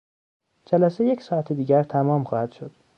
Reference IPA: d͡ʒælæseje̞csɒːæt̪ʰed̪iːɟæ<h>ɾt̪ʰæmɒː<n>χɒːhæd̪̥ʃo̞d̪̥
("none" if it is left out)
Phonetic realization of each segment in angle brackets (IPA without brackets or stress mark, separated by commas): none, m